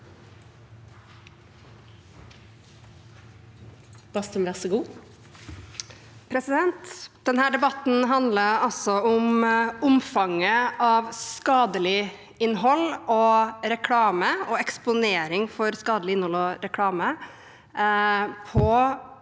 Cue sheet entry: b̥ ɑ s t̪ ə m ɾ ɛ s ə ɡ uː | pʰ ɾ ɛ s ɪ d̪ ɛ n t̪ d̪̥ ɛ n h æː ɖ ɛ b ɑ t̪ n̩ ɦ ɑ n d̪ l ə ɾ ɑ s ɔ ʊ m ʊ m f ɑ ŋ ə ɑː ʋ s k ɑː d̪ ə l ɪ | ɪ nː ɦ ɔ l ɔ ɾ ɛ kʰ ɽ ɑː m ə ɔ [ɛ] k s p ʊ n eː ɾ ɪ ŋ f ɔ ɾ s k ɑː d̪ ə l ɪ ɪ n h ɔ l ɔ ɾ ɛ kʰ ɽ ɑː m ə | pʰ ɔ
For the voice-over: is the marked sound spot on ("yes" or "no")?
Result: yes